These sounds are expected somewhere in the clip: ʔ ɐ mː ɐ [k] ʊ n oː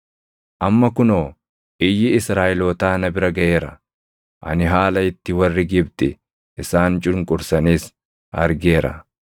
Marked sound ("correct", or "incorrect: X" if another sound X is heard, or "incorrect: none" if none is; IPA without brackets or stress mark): correct